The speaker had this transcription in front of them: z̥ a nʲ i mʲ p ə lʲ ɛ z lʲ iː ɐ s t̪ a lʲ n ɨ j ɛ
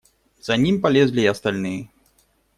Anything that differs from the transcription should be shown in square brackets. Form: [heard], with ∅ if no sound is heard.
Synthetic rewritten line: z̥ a nʲ i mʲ p [a] lʲ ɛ z lʲ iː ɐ s t̪ a lʲ n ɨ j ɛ